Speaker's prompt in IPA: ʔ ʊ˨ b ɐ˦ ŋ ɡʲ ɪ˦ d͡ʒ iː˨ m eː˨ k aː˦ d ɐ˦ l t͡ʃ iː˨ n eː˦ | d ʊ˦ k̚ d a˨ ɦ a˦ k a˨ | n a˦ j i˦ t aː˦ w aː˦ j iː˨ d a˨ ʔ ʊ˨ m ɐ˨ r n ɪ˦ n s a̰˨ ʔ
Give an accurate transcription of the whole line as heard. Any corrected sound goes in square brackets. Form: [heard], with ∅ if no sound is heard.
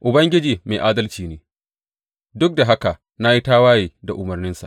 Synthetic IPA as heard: ʔ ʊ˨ b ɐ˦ ŋ ɡʲ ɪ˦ d͡ʒ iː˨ m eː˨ [ʔ] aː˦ d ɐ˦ l t͡ʃ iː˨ n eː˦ | d ʊ˦ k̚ d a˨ ɦ a˦ k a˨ | n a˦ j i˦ t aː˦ w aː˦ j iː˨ d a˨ ʔ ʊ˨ m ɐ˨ r n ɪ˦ n s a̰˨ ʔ